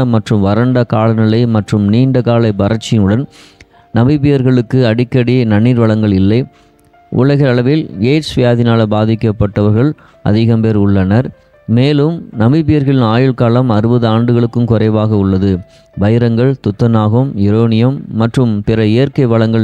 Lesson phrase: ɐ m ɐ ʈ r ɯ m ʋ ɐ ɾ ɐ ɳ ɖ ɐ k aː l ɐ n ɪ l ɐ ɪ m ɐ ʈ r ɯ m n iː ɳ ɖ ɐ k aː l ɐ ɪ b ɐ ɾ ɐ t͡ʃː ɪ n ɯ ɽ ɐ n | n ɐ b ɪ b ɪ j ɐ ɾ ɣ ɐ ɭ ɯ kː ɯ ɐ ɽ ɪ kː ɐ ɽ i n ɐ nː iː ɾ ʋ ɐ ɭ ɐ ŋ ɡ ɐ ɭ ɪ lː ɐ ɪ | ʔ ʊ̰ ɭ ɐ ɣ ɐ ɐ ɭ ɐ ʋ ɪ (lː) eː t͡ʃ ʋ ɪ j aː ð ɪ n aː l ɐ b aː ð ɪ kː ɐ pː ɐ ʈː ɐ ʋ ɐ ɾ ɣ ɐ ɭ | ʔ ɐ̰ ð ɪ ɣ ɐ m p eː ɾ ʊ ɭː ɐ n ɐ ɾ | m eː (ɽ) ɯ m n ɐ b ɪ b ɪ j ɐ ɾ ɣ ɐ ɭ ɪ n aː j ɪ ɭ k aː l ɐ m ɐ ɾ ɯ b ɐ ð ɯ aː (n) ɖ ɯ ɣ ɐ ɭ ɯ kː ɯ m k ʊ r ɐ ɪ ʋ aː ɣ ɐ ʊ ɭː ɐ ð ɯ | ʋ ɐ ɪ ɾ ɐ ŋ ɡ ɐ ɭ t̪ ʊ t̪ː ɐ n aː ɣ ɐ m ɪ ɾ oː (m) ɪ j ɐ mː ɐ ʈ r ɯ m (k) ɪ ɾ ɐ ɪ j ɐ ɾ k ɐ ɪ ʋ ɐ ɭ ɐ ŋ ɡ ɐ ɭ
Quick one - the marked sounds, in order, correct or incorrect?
incorrect: l, incorrect: l, incorrect: ɳ, incorrect: n, incorrect: p

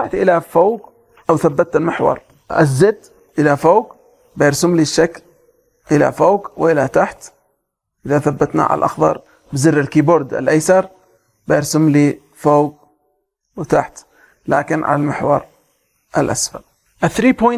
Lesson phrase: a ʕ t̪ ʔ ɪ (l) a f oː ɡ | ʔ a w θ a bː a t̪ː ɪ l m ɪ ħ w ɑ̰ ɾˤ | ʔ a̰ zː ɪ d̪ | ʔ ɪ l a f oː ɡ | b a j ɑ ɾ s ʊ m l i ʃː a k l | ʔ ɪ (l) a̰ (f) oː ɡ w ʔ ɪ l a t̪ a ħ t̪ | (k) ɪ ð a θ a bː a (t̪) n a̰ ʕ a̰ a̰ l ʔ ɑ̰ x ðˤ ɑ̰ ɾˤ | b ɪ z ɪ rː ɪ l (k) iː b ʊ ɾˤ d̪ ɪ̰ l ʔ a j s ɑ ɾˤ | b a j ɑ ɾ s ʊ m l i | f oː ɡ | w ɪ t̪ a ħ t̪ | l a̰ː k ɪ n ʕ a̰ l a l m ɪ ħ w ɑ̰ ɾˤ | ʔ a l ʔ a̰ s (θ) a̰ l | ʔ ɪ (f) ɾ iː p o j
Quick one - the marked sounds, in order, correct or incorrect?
correct, correct, correct, incorrect: ʔ, correct, correct, incorrect: f, incorrect: θ

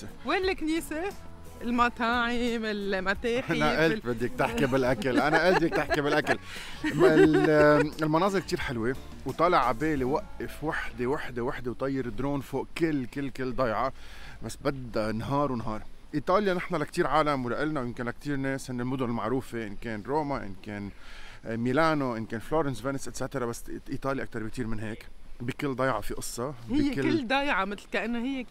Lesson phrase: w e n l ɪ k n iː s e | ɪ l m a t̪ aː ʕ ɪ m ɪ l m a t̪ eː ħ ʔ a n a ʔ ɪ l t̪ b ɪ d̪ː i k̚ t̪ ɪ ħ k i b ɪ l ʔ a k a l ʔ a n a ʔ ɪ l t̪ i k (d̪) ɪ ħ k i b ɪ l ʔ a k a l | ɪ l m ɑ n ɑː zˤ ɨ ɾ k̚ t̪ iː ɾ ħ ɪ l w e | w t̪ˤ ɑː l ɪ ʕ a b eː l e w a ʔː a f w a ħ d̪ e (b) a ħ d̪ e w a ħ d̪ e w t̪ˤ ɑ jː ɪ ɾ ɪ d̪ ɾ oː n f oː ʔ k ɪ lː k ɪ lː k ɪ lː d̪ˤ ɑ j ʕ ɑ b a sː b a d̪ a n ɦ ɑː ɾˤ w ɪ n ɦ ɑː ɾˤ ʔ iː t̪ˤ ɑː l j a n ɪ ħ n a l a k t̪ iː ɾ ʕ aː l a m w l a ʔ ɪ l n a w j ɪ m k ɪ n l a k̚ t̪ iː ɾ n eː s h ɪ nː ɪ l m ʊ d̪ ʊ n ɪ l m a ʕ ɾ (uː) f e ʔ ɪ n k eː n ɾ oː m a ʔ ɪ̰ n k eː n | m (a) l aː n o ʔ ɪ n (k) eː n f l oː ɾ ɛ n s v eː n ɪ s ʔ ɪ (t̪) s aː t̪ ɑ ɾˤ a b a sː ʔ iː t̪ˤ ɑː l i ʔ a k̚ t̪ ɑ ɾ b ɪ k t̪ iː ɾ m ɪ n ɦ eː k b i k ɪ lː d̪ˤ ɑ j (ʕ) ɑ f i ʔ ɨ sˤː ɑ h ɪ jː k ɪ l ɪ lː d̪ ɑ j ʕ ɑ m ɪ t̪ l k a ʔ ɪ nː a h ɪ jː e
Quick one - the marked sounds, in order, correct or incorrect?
incorrect: t̪, incorrect: w, correct, incorrect: i, correct, correct, correct

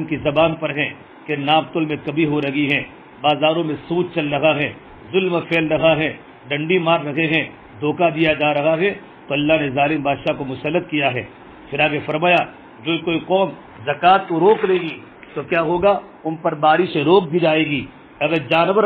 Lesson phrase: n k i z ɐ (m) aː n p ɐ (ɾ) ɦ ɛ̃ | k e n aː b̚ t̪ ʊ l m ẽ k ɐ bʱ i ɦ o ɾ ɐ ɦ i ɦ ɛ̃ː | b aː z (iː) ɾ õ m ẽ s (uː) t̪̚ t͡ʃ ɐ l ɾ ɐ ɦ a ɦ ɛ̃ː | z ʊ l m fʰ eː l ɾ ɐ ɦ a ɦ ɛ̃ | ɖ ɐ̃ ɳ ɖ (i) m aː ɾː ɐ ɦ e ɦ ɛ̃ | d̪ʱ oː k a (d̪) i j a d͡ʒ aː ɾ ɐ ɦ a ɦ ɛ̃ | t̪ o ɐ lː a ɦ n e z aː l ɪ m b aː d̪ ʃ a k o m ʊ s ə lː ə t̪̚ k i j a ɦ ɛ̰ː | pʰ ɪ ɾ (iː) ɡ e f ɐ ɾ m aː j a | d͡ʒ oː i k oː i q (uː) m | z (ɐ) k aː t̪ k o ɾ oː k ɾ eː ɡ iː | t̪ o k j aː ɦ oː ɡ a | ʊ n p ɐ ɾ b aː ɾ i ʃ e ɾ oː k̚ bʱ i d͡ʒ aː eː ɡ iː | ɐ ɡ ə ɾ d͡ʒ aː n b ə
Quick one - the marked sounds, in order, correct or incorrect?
incorrect: b, correct, incorrect: aː, correct, correct, correct, incorrect: aː, incorrect: ɔː, correct

